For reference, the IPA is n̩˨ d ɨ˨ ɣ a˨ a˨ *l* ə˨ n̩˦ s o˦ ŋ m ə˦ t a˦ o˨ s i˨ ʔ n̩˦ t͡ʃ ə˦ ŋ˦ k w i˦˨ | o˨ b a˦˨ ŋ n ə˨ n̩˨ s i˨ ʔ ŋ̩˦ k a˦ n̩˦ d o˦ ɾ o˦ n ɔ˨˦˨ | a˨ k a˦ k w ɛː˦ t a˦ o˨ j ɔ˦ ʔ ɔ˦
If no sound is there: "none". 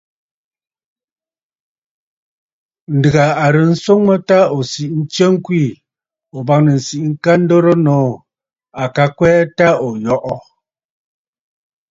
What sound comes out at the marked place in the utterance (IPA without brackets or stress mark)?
ɾ